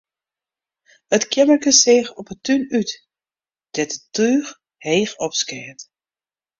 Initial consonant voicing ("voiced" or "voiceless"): voiceless